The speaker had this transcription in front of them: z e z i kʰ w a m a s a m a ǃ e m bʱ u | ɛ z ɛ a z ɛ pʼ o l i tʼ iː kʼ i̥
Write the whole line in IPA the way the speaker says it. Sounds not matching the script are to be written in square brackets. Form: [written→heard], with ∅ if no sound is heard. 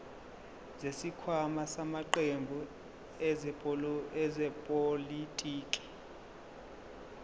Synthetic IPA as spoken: z e [z→s] i kʰ w a m a s a m a ǃ e m bʱ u | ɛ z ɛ [a→ɛ] z ɛ pʼ o l i tʼ iː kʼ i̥